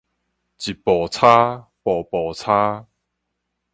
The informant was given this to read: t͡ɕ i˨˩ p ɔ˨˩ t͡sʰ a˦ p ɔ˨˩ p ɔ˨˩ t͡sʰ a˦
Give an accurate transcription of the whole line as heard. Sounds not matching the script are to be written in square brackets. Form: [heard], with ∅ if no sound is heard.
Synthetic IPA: t͡ɕ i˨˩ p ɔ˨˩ t͡sʰ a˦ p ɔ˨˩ p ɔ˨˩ t͡sʰ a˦